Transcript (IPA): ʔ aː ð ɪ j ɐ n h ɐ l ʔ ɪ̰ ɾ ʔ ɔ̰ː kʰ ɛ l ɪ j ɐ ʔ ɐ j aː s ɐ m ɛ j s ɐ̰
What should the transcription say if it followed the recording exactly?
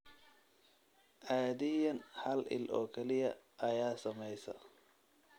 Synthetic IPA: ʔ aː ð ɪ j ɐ n h ɐ l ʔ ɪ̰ l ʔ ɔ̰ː kʰ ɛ l ɪ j ɐ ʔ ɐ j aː s ɐ m ɛ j s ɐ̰